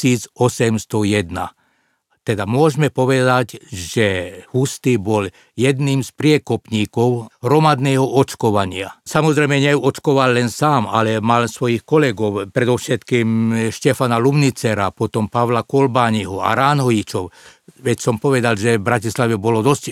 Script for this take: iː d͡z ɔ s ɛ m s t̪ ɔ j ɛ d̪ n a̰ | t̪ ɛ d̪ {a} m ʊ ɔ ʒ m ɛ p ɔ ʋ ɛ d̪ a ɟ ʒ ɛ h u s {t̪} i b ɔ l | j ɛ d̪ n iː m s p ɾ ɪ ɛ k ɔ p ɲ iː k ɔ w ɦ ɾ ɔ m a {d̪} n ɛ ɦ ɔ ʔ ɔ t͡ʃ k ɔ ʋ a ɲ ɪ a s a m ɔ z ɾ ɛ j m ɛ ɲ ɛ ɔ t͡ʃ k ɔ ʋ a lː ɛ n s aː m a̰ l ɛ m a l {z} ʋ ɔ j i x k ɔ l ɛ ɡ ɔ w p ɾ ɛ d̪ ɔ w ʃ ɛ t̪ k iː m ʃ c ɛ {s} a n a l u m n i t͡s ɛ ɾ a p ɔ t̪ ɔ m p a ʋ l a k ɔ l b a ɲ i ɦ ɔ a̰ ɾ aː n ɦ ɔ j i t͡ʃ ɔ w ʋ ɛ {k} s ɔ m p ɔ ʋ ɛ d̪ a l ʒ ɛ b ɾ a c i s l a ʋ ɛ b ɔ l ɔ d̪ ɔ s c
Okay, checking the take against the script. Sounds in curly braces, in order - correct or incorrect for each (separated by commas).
correct, correct, correct, incorrect, incorrect, incorrect